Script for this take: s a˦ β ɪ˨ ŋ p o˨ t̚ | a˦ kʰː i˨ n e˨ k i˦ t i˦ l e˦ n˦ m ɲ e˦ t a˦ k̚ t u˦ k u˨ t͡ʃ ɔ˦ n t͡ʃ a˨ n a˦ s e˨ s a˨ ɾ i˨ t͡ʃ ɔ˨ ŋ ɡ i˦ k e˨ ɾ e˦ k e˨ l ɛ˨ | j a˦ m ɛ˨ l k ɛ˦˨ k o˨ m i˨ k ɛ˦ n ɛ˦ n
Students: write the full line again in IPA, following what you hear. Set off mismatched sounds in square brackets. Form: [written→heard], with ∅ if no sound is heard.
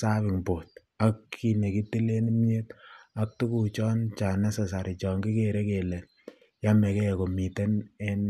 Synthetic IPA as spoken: s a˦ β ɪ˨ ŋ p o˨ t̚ | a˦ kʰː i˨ n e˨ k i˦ t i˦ l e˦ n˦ m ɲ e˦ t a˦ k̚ t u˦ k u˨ t͡ʃ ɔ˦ n t͡ʃ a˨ n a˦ s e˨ s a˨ ɾ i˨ t͡ʃ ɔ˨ ŋ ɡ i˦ k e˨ ɾ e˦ k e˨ l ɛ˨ | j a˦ m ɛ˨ [l→∅] k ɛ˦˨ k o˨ m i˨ [k→t] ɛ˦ n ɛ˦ n